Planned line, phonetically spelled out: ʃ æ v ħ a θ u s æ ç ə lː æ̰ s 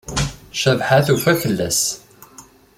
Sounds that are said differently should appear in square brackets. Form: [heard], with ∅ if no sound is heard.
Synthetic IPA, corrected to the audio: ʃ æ v ħ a θ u [f] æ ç ə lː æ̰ s